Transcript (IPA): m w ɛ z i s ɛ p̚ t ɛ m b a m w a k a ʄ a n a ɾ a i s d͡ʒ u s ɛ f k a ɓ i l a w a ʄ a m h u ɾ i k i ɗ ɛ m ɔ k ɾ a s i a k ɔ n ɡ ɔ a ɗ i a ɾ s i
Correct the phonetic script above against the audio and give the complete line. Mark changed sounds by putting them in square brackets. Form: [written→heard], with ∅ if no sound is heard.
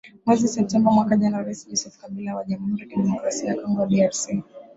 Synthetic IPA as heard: m w ɛ z i s ɛ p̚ t ɛ m b a m w a k a ʄ a n a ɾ a i s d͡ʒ [u→ɔ] s ɛ f k a ɓ i l a w a ʄ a m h u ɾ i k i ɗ ɛ m ɔ k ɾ a s i a k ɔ [n→ŋ] ɡ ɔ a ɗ i a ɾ s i